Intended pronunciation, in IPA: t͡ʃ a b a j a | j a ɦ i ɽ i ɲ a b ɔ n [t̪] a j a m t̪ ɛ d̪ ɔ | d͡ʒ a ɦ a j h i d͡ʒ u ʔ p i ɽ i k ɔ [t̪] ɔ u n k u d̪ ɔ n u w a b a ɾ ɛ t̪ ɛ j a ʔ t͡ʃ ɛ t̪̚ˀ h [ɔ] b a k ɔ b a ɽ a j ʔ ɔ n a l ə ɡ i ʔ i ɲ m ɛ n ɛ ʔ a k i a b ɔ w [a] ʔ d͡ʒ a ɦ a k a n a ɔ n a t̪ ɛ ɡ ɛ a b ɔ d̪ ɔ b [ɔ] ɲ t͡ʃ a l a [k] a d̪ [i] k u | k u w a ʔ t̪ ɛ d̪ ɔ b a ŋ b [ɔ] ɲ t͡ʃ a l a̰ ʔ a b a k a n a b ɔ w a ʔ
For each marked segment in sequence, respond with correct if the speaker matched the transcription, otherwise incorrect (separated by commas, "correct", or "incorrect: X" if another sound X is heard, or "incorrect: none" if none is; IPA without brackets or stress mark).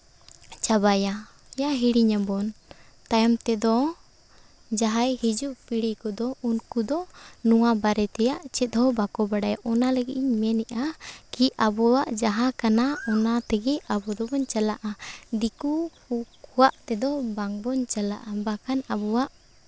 correct, incorrect: d̪, correct, correct, correct, incorrect: ʔ, correct, correct